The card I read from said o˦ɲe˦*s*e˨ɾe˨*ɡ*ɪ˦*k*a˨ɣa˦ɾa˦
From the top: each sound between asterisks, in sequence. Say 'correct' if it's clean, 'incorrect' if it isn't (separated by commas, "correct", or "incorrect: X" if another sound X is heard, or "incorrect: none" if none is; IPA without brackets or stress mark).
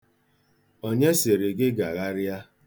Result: correct, correct, incorrect: ɡ